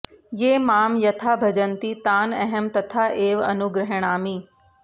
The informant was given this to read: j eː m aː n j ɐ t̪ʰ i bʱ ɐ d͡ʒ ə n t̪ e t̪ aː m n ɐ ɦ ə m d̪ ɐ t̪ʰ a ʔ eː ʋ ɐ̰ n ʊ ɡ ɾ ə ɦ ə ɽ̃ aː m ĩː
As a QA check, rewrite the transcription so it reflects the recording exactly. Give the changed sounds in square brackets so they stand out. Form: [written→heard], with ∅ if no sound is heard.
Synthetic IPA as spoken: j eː m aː [n→m] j ɐ t̪ʰ [i→a] bʱ ɐ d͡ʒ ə n t̪ [e→i] t̪ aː [m→∅] n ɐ ɦ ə m [d̪→t̪] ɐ t̪ʰ a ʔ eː ʋ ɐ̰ n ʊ ɡ ɾ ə ɦ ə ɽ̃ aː m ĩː